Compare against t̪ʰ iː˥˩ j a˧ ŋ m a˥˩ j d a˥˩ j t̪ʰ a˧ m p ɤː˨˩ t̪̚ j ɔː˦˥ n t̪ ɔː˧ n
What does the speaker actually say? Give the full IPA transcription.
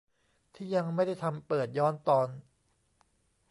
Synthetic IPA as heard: t̪ʰ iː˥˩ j a˧ ŋ m a˥˩ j d a˥˩ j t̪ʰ a˧ m p ɤː˨˩ t̪̚ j ɔː˦˥ n t̪ ɔː˧ n